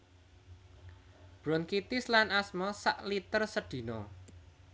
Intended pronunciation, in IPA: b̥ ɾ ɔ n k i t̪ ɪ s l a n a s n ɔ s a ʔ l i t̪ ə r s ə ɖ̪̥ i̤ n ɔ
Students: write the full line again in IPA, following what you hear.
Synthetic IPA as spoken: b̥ ɾ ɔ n k i t̪ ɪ s l a n a s m ɔ s a ʔ l i t̪ ə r s ə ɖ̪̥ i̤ n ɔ